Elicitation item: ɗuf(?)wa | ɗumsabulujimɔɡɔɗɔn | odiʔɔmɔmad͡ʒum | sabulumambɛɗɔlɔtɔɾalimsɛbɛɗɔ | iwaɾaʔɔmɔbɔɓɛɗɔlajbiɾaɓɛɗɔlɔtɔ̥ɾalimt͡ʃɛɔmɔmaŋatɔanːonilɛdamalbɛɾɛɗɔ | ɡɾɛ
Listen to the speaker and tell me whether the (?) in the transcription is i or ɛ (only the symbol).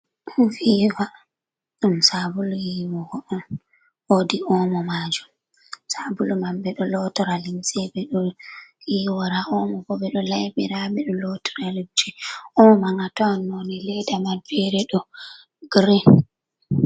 i